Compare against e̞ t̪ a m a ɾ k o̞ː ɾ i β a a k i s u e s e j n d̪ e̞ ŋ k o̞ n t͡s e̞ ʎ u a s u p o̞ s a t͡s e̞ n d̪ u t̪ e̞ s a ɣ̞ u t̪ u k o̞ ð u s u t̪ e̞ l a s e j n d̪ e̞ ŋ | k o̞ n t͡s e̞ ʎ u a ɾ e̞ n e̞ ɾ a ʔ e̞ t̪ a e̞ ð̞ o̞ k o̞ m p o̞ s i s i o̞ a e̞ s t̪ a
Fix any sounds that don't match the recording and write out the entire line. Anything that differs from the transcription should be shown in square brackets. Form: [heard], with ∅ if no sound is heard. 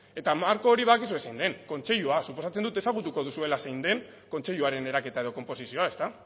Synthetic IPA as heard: e̞ t̪ a m a ɾ k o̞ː ɾ i β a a k i s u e s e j n d̪ e̞ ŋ k o̞ n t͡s e̞ ʎ u a s u p o̞ s a t͡s e̞ n d̪ u t̪ e̞ s a ɣ̞ u t̪ u k o̞ ð u s u [∅] e̞ l a s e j n d̪ e̞ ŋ | k o̞ n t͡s e̞ ʎ u a ɾ e̞ n e̞ ɾ a [k] e̞ t̪ a e̞ ð̞ o̞ k o̞ m p o̞ s i s i o̞ a e̞ s t̪ a